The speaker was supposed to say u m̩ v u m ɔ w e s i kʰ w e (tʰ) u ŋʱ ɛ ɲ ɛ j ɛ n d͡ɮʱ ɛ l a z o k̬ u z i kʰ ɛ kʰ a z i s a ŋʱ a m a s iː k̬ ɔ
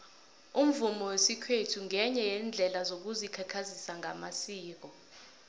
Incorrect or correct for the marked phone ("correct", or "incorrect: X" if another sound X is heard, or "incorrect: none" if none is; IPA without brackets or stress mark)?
correct